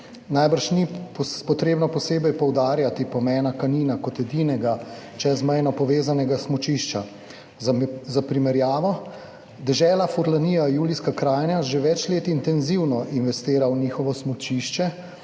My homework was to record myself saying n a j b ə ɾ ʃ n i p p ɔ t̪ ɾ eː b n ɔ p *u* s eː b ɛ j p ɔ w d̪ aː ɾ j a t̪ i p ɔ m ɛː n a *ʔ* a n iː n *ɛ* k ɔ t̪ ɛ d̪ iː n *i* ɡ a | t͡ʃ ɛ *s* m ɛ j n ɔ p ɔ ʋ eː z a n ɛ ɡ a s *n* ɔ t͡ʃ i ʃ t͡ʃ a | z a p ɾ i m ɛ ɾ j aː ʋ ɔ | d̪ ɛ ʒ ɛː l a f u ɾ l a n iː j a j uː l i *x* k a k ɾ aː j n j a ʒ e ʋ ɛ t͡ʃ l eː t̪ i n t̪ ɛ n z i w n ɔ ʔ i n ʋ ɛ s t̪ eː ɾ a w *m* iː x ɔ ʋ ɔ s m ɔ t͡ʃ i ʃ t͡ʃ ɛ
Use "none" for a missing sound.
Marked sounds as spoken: ɔ, k, a, ɛ, z, m, s, n

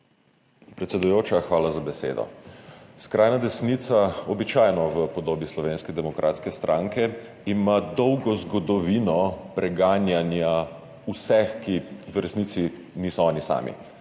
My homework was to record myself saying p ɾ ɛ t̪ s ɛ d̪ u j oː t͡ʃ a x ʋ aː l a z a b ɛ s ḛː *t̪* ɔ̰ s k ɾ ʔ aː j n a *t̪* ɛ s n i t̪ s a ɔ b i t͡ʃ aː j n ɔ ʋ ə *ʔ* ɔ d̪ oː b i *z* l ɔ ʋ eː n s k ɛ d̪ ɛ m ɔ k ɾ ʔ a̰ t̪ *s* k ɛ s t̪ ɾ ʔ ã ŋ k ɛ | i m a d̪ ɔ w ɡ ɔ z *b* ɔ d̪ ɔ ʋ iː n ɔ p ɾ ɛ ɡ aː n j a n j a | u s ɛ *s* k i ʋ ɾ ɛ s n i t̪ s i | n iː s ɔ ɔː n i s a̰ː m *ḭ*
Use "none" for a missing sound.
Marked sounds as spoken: d̪, d̪, p, s, s, ɡ, x, ḭ

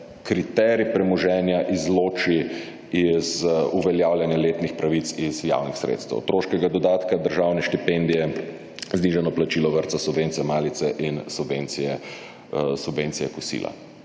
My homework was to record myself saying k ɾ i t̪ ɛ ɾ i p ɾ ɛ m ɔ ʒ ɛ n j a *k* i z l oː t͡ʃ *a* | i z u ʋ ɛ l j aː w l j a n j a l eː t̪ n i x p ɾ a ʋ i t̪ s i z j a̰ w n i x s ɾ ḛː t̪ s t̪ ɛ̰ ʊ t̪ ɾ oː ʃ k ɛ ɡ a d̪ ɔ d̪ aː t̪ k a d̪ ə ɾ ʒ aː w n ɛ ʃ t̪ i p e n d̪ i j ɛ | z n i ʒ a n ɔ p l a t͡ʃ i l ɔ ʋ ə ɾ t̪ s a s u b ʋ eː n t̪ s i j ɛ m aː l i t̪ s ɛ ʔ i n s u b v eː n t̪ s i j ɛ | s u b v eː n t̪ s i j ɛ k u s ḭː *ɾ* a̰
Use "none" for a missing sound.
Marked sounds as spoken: ʔ, i, l

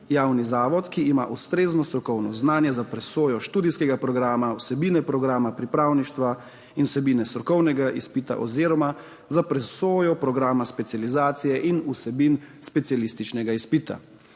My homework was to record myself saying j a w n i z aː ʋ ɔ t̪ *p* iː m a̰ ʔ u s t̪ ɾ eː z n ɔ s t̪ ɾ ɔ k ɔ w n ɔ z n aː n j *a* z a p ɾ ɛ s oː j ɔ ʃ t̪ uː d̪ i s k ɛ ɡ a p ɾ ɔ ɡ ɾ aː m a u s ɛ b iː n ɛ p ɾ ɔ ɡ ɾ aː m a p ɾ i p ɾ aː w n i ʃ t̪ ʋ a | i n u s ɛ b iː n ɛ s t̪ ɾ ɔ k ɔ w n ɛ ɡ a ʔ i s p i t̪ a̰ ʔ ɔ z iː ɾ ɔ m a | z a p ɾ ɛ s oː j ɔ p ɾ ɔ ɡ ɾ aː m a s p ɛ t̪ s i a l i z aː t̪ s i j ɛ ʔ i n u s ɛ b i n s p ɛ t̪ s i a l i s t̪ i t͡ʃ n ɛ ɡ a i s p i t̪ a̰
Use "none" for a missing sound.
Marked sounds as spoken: k, ɛ

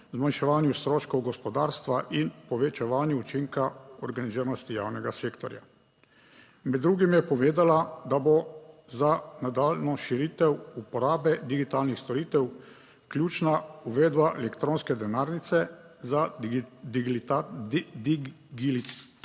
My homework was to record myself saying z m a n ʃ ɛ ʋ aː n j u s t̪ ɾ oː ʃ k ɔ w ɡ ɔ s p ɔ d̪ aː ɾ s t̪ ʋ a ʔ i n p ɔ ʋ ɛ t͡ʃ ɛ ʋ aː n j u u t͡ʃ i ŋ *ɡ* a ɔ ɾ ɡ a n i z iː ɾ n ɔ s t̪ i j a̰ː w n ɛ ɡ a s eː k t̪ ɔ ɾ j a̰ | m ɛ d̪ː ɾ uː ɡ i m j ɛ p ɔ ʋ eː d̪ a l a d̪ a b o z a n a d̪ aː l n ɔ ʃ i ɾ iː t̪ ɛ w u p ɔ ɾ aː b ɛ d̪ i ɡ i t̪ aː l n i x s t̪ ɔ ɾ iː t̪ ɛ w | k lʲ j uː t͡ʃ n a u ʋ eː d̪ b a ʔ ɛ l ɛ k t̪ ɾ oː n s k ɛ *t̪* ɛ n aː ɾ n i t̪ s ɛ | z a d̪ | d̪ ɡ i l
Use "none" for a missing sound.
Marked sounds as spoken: k, d̪

